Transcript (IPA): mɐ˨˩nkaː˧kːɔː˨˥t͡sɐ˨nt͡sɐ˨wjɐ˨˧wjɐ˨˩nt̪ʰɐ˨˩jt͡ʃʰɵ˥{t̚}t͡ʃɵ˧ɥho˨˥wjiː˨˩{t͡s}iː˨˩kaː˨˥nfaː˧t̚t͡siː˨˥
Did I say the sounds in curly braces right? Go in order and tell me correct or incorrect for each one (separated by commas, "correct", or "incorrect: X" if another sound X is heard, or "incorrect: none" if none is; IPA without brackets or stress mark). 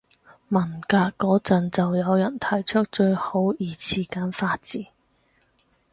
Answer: incorrect: k̚, incorrect: t͡sʰ